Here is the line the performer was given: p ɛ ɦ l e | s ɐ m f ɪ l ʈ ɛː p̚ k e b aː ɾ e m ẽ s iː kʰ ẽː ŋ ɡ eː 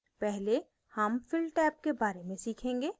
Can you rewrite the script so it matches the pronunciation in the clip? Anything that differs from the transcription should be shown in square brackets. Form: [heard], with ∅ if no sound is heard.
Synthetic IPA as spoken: p ɛ ɦ l e | [h] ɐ m f ɪ l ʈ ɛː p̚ k e b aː ɾ e m ẽ s iː kʰ ẽː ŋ ɡ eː